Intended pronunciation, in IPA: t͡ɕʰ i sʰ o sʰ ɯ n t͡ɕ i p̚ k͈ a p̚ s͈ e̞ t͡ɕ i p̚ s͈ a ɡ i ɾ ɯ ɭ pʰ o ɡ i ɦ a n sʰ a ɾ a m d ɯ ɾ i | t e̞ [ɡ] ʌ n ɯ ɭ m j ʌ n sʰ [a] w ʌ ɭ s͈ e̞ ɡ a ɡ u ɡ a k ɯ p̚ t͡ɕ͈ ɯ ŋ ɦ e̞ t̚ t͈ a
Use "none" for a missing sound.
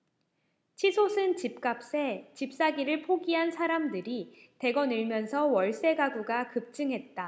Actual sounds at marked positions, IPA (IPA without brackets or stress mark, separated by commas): ɡ, ʌ